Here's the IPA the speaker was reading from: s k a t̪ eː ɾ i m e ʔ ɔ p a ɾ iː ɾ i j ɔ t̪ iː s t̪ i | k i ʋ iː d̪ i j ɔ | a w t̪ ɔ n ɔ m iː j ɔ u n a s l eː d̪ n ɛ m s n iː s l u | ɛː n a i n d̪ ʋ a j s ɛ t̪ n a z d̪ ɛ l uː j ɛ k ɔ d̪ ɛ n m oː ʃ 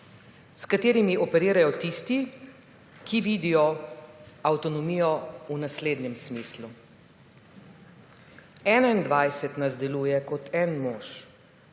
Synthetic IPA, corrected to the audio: s k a t̪ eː ɾ i m i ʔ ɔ p ɛ ɾ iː ɾ a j ɔ t̪ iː s t̪ i | k i ʋ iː d̪ i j ɔ | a w t̪ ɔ n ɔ m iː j ɔ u n a s l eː d̪ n ɛ m s m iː s l u | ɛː n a i n d̪ ʋ a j s ɛ t̪ n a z d̪ ɛ l uː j ɛ k ɔ t̪ ɛ n m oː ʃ

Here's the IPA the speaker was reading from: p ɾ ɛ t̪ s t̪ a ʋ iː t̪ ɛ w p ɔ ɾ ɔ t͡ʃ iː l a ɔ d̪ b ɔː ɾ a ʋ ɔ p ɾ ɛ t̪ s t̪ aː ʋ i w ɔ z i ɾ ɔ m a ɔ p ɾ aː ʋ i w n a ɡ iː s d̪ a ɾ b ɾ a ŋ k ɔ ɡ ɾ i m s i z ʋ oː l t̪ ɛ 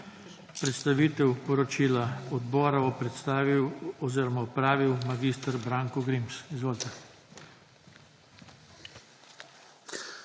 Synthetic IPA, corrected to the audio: p ɾ ɛ t̪ s t̪ a ʋ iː t̪ ɛ w p ɔ ɾ ɔ t͡ʃ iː l a ɔ d̪ b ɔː ɾ a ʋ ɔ p ɾ ɛ t̪ s t̪ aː ʋ i w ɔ z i ɾ ɔ m a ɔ p ɾ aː ʋ i w m a ɡ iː s t̪ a ɾ b ɾ a ŋ k ɔ ɡ ɾ i m s i z ʋ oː l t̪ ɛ

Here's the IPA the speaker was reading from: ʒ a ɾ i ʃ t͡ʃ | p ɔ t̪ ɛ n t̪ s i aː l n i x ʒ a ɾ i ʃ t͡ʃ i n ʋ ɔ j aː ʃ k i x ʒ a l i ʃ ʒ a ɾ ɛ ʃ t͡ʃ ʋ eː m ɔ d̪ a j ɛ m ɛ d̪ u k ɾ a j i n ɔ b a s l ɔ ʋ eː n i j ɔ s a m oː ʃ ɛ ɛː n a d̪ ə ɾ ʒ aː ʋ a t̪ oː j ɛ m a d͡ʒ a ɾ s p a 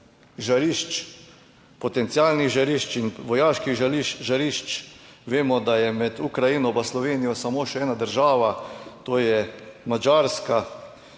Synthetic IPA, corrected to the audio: ʒ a ɾ i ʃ t͡ʃ | p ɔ t̪ ɛ n t̪ s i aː l n i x ʒ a ɾ i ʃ t͡ʃ i n ʋ ɔ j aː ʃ k i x ʒ a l i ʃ ʒ a ɾ i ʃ t͡ʃ ʋ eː m ɔ d̪ a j ɛ m ɛ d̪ u k ɾ a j i n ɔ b a s l ɔ ʋ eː n i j ɔ s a m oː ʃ ɛ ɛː n a d̪ ə ɾ ʒ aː ʋ a t̪ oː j ɛ m a d͡ʒ a ɾ s k a

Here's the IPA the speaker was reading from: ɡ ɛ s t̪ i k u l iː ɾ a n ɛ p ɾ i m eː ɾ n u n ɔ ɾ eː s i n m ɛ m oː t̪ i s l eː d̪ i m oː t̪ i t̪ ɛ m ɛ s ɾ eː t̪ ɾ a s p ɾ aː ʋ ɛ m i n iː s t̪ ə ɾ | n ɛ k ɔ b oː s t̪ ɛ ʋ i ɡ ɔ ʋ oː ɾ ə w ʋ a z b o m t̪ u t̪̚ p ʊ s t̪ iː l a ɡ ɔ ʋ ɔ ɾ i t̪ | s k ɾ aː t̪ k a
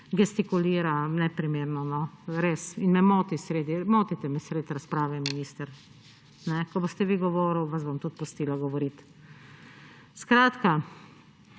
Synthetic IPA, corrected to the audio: ɡ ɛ s t̪ i k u l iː ɾ a n ɛ p ɾ i m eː ɾ n ɔ n ɔ ɾ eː s i n m ɛ m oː t̪ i s ɾ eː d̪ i m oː t̪ i t̪ ɛ m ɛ s ɾ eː t̪ ɾ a s p ɾ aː ʋ ɛ m i n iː s t̪ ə ɾ | n ɛ k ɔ b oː s t̪ ɛ ʋ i ɡ ɔ ʋ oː ɾ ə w ʋ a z b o m t̪ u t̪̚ p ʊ s t̪ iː l a ɡ ɔ ʋ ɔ ɾ i t̪ | s k ɾ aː t̪ k a

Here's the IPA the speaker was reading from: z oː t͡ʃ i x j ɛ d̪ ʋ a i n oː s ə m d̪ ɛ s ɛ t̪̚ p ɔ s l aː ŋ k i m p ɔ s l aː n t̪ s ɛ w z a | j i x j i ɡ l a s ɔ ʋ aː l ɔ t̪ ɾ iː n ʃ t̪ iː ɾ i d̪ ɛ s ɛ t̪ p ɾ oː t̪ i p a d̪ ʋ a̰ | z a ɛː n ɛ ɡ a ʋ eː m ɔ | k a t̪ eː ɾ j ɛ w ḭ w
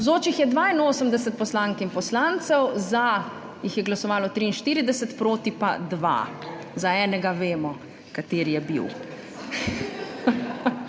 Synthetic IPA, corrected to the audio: z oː t͡ʃ i x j ɛ d̪ ʋ a i n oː s ə m d̪ ɛ s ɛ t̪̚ p ɔ s l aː ŋ k i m p ɔ s l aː n t̪ s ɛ w z a | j i x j ɛ ɡ l a s ɔ ʋ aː l ɔ t̪ ɾ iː n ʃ t̪ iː ɾ i d̪ ɛ s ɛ t̪ p ɾ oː t̪ i p a d̪ ʋ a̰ | z a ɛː n ɛ ɡ a ʋ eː m ɔ | k a t̪ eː ɾ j ɛ b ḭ w

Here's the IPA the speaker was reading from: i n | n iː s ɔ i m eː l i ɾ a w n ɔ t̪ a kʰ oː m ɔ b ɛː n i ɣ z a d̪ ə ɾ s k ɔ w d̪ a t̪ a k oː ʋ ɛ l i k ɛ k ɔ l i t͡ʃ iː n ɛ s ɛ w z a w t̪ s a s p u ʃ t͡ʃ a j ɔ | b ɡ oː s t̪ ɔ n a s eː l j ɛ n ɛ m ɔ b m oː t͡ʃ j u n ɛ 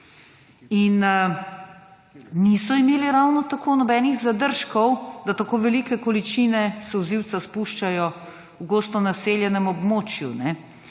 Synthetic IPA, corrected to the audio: i n | n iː s ɔ i m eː l i ɾ a w n ɔ t̪ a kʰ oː n ɔ b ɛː n i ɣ z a d̪ ə ɾ ʃ k ɔ w d̪ a t̪ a k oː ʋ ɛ l i k ɛ k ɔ l i t͡ʃ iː n ɛ s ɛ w z i w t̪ s a s p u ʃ t͡ʃ a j ɔ | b ɡ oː s t̪ ɔ n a s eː l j ɛ n ɛ m ɔ b m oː t͡ʃ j u n ɛ

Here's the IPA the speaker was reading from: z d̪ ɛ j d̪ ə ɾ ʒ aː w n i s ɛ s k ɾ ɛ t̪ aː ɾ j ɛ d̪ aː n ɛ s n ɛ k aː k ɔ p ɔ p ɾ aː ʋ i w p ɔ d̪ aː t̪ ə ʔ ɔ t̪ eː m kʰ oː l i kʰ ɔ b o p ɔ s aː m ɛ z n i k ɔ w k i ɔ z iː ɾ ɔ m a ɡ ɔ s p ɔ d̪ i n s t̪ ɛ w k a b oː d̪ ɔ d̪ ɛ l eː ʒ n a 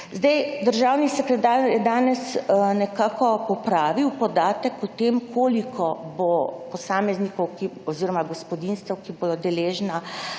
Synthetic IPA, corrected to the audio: z d̪ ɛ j d̪ ə ɾ ʒ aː w n i s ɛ k ɾ ɛ t̪ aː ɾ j ɛ d̪ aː n ɛ s n ɛ k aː k ɔ p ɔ p ɾ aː ʋ i w p ɔ d̪ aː t̪ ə k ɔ t̪ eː m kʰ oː l i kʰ ɔ b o p ɔ s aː m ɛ z n i k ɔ w k i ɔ z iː ɾ ɔ m a ɡ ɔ s p ɔ d̪ i n s t̪ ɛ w k i b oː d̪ ɔ d̪ ɛ l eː ʒ n a

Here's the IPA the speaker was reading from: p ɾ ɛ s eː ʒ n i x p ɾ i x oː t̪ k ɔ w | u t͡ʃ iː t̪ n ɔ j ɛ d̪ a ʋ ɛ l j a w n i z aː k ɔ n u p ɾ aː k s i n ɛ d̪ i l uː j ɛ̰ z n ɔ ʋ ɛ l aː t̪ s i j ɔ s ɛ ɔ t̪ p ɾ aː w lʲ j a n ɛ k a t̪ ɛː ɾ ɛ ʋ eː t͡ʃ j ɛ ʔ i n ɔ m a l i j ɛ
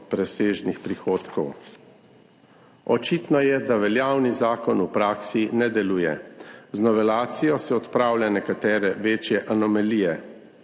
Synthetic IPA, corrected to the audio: p ɾ ɛ s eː ʒ n i x p ɾ i x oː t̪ k ɔ w | ɔ t͡ʃ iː t̪ n ɔ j ɛ d̪ a ʋ ɛ l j a w n i z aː k ɔ n u p ɾ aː k s i n ɛ d̪ ɛ l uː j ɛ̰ z n ɔ ʋ ɛ l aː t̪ s i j ɔ s ɛ ɔ t̪ p ɾ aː w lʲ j a n ɛ k a t̪ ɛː ɾ ɛ ʋ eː t͡ʃ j ɛ ʔ a n ɔ m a l i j ɛ

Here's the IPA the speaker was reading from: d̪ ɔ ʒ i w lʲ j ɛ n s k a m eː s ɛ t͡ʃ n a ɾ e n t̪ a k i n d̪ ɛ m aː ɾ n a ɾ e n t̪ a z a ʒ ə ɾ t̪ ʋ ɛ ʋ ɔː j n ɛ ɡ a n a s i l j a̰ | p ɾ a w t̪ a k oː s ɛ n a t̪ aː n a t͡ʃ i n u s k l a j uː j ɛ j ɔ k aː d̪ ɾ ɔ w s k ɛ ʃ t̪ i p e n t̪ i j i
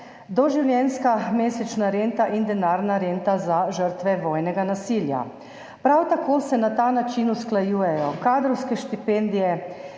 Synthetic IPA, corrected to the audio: d̪ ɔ ʒ i w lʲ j ɛ n s k a m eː s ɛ t͡ʃ n a ɾ e n t̪ a ʔ i n d̪ ɛ n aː ɾ n a ɾ e n t̪ a z a ʒ ə ɾ t̪ ʋ ɛ ʋ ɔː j n ɛ ɡ a n a s i l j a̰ | p ɾ a w t̪ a k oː s ɛ n a t̪ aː n a t͡ʃ i n u s k l a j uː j ɛ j ɔ k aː d̪ ɾ ɔ w s k ɛ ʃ t̪ i p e n d̪ i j ɛ

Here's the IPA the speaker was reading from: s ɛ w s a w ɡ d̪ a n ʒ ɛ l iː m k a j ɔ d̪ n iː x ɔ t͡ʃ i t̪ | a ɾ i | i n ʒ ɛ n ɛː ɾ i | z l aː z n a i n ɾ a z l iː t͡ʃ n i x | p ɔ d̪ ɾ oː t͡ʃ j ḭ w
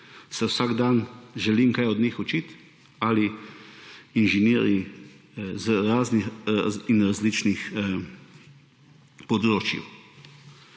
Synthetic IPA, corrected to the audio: s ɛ w s a ɡ d̪ a n ʒ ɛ l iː m k a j ɔ d̪ n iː x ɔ t͡ʃ i t̪ | a l i | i n ʒ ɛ n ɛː ɾ i | z ɾ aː z n i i n ɾ a z l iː t͡ʃ n i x | p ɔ d̪ ɾ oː t͡ʃ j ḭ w

